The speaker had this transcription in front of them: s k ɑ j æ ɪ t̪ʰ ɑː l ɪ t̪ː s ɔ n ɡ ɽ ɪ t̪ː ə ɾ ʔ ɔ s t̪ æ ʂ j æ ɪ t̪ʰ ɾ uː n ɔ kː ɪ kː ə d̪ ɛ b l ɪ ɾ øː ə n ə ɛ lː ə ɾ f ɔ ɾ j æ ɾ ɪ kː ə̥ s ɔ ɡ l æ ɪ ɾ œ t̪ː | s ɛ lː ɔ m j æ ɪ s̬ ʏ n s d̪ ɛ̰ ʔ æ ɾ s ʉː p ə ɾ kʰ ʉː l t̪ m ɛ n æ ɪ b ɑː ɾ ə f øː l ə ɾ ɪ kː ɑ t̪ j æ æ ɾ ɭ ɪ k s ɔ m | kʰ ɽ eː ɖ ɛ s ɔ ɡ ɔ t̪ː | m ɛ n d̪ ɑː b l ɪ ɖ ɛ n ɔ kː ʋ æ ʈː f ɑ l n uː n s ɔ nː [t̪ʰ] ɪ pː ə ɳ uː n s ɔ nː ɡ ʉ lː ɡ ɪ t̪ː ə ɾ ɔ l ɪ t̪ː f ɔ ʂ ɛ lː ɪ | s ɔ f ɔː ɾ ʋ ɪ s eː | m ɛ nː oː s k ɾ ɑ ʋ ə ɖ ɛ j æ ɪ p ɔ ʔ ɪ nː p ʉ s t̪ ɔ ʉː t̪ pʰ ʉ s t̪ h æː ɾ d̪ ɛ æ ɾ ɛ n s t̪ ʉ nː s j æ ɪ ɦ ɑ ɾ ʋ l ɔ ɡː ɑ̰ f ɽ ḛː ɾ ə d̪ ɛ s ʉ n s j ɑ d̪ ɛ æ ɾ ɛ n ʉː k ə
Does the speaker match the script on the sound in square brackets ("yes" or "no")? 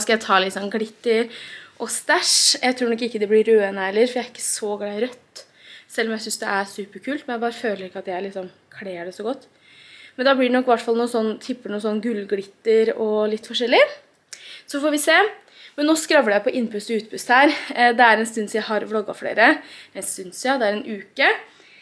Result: yes